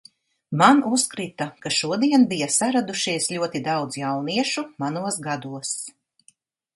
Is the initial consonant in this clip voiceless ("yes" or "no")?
no